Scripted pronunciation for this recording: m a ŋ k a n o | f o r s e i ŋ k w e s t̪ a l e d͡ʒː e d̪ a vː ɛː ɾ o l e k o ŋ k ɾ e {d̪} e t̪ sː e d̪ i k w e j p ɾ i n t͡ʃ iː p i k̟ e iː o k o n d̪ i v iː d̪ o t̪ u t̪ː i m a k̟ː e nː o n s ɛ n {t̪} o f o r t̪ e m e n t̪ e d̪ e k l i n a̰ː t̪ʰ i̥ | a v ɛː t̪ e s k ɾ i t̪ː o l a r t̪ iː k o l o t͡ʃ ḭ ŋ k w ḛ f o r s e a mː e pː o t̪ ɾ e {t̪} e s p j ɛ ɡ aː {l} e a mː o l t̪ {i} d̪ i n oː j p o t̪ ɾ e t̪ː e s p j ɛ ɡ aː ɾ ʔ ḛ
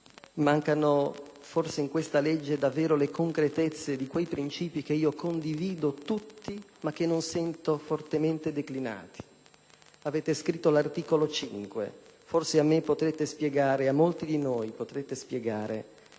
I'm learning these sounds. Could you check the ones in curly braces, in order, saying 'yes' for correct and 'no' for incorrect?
no, yes, yes, no, yes

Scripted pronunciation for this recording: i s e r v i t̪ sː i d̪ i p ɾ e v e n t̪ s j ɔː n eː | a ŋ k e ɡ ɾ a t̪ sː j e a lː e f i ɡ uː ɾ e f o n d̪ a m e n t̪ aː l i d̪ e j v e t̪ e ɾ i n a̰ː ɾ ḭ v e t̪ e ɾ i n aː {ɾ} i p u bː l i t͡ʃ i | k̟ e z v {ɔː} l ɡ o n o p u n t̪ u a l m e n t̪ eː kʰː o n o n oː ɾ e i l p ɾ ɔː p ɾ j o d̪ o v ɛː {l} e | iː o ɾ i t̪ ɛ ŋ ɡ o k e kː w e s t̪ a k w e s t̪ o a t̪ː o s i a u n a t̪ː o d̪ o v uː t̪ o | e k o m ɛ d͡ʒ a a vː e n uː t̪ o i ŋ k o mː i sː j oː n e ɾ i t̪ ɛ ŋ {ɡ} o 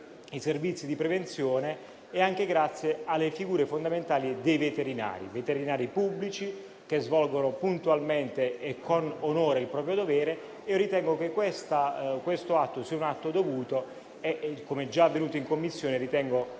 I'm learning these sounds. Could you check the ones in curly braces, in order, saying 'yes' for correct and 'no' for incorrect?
yes, no, no, yes

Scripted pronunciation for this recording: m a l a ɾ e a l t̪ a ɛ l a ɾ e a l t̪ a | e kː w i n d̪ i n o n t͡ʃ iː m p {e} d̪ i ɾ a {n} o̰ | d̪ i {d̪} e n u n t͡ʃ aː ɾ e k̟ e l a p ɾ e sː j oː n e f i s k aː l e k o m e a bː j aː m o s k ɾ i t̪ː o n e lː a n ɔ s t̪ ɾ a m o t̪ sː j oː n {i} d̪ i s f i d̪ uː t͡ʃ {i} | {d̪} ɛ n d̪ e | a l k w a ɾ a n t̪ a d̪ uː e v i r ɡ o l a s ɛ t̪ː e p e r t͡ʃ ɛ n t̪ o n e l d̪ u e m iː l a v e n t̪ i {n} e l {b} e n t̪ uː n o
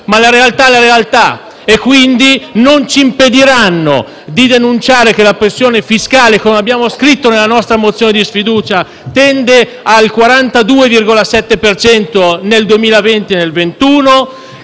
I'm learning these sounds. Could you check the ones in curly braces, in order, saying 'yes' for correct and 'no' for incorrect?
yes, no, yes, no, no, no, yes, no

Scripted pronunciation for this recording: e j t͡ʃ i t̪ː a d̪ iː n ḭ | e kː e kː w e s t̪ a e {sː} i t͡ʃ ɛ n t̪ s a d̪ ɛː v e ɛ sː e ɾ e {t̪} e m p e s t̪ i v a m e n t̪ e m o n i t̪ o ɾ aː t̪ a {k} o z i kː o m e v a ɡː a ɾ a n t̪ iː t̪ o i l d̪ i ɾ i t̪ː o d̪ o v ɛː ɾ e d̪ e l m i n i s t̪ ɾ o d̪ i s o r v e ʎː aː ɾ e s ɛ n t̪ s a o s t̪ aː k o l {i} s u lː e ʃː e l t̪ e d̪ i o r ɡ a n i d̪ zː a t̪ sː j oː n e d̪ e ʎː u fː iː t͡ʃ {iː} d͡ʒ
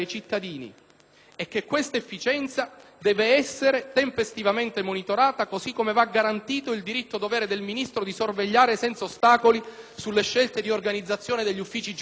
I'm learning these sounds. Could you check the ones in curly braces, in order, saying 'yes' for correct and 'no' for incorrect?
no, yes, yes, yes, no

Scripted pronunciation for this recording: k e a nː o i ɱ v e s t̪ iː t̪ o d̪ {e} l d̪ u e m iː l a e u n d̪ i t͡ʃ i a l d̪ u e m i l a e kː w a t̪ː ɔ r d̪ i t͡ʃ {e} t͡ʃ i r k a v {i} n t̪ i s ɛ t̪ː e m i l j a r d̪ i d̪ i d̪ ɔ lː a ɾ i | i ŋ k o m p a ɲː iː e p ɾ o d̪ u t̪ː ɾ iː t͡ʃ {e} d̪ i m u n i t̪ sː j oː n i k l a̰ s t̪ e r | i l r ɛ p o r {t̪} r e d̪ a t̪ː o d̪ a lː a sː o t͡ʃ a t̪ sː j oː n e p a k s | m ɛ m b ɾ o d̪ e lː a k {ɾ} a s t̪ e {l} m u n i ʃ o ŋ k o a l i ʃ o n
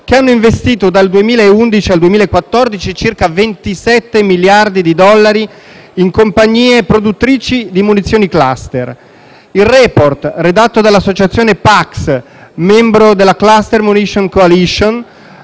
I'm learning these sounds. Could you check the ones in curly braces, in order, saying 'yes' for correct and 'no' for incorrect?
no, no, no, no, yes, no, no

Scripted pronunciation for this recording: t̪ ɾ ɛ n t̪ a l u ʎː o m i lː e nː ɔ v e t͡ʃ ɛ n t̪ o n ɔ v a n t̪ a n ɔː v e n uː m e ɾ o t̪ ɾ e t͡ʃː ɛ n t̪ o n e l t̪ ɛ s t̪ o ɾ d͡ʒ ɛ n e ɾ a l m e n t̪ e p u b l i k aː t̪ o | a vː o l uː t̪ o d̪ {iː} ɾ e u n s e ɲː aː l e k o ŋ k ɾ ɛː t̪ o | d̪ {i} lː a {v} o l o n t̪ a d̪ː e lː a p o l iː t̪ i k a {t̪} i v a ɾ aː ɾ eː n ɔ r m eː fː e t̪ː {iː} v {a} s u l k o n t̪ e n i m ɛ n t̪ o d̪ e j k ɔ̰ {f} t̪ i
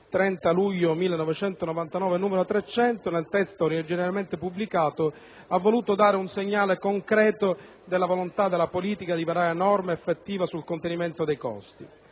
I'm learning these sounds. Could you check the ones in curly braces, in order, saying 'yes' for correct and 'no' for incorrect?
no, no, yes, no, yes, yes, no

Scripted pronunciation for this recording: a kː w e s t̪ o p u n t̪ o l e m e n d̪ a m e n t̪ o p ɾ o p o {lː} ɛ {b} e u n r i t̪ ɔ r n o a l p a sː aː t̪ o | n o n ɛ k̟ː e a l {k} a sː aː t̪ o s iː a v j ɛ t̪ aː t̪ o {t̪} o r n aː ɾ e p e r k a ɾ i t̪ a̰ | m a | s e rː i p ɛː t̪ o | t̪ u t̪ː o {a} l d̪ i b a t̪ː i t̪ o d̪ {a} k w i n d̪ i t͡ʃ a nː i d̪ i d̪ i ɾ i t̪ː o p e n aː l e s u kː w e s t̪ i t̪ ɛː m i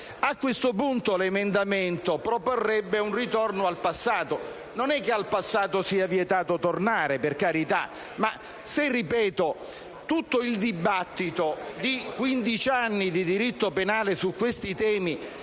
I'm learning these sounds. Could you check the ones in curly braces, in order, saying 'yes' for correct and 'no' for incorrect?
no, no, no, yes, no, no

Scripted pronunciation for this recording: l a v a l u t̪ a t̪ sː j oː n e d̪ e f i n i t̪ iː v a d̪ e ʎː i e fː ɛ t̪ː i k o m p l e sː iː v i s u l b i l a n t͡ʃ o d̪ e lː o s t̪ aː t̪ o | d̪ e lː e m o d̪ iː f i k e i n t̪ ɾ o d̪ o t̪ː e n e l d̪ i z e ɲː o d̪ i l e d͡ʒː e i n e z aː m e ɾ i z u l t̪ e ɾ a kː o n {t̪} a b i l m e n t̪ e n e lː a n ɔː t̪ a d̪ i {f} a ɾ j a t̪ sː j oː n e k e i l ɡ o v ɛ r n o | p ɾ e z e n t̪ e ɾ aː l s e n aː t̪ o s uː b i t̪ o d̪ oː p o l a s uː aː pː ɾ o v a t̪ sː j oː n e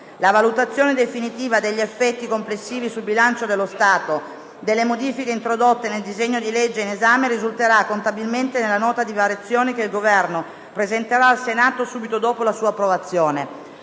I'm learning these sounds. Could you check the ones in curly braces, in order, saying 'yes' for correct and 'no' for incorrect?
yes, no

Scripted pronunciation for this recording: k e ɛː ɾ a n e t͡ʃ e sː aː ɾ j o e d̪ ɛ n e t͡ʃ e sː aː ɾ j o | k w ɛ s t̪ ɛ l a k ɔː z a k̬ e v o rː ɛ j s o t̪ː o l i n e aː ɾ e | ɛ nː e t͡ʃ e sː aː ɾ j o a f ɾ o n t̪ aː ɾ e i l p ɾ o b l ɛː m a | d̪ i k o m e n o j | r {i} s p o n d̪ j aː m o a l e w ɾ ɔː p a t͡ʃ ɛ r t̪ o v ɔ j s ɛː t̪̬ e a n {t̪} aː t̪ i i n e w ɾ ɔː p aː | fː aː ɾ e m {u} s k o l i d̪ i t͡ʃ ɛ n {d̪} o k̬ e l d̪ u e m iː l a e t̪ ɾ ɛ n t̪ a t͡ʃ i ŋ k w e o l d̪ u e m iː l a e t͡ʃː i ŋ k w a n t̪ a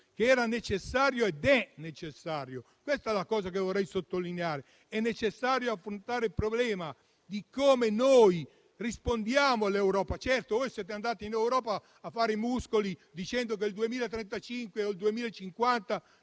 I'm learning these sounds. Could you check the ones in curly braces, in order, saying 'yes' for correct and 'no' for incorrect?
yes, no, yes, yes

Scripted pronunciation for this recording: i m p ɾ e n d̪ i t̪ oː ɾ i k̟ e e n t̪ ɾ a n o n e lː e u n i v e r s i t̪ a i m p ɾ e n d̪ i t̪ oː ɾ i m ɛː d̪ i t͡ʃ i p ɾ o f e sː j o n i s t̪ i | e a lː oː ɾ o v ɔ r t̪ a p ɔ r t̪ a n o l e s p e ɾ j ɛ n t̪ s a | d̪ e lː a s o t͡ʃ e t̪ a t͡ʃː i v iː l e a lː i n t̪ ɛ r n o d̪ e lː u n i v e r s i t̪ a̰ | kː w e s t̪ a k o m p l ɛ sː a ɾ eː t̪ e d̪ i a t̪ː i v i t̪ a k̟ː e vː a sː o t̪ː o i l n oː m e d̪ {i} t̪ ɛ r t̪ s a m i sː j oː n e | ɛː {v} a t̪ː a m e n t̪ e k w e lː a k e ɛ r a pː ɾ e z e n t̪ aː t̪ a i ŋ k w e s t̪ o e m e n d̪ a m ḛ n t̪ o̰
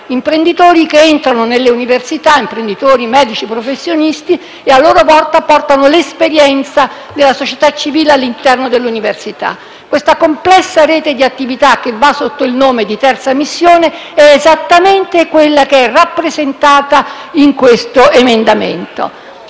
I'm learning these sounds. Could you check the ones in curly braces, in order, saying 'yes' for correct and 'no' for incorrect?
yes, no

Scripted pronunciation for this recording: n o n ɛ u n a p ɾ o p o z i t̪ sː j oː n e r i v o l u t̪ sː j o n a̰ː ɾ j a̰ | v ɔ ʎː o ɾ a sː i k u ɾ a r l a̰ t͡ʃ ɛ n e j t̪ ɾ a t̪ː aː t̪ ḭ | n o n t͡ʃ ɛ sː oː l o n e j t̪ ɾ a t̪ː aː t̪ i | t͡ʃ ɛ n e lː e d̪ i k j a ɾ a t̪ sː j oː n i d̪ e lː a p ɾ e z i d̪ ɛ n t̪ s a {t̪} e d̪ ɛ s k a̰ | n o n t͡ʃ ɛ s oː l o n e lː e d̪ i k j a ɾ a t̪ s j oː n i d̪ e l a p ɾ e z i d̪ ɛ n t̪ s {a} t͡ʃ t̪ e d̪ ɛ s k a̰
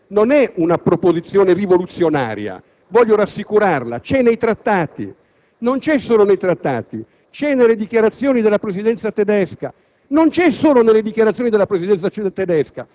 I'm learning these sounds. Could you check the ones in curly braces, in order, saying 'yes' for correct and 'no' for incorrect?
yes, yes

